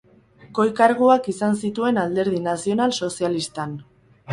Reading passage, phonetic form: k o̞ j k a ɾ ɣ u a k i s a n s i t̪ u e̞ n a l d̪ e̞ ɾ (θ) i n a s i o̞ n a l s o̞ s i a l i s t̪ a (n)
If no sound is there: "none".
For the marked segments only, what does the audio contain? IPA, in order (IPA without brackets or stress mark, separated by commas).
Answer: ð, n